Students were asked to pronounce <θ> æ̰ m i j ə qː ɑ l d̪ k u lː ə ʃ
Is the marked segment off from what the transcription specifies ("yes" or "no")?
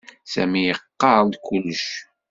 yes